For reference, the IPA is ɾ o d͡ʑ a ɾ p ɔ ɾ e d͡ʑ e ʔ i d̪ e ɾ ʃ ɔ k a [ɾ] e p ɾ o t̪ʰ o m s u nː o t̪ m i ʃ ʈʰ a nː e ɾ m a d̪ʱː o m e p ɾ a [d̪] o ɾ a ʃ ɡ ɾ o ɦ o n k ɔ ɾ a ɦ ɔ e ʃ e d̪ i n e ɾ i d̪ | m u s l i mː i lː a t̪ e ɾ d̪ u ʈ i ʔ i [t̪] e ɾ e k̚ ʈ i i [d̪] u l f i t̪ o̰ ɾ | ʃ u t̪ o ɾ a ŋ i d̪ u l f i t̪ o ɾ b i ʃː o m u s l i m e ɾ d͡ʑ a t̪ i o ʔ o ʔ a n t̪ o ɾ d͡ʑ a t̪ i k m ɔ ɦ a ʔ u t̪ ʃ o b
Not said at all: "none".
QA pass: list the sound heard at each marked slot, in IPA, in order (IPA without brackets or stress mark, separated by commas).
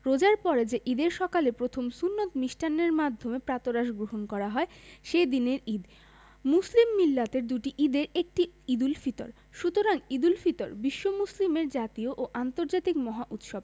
l, t̪, d̪, d̪